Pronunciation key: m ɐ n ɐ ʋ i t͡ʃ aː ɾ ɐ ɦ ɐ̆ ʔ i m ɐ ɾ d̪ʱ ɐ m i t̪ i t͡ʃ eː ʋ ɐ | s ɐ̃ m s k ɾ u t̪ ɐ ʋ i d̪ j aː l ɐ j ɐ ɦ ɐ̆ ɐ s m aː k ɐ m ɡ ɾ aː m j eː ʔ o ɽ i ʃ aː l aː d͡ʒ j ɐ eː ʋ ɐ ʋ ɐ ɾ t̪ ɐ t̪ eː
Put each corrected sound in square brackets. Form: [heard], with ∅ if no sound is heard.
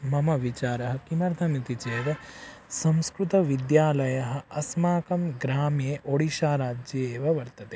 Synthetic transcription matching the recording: m ɐ [m] ɐ ʋ i t͡ʃ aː ɾ ɐ ɦ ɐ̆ [k] i m ɐ ɾ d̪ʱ ɐ m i t̪ i t͡ʃ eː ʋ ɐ | s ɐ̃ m s k ɾ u t̪ ɐ ʋ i d̪ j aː l ɐ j ɐ ɦ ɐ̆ ɐ s m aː k ɐ m ɡ ɾ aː m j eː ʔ o ɽ i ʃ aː [ɾ] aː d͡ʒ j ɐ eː ʋ ɐ ʋ ɐ ɾ t̪ ɐ t̪ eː